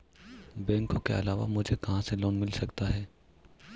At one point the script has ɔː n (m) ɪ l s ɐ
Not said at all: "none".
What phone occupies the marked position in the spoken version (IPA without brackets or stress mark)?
m